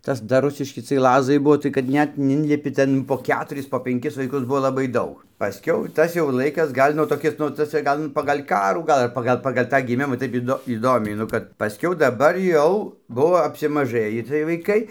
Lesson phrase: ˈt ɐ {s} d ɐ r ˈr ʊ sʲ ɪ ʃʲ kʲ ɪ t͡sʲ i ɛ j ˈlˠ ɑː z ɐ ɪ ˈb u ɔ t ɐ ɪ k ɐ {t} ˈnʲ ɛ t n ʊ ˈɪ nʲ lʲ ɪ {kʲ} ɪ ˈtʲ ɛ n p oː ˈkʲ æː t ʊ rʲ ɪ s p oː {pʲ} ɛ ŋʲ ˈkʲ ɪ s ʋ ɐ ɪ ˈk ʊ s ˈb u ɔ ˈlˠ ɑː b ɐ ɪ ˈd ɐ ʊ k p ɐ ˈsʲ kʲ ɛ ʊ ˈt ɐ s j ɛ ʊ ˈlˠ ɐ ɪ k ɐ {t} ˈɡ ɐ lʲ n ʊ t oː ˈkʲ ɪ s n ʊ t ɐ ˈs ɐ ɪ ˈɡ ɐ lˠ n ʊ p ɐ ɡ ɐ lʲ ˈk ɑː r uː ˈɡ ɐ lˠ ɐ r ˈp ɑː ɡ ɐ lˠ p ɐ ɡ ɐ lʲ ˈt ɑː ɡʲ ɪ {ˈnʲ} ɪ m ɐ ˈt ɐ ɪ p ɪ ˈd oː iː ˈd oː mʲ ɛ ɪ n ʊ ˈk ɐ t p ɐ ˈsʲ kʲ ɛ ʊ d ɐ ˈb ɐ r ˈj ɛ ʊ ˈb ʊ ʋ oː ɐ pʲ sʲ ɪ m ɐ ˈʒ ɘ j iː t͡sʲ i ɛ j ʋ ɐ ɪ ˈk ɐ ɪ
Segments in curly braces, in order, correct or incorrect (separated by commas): correct, correct, incorrect, correct, incorrect, incorrect